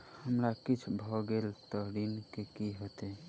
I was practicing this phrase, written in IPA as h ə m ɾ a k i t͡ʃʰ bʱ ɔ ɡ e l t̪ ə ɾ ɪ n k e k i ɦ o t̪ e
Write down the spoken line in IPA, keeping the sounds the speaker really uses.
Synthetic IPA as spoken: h ə m ɾ a k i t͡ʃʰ bʱ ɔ ɡ e l t̪ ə ɾ i n k e k i ɦ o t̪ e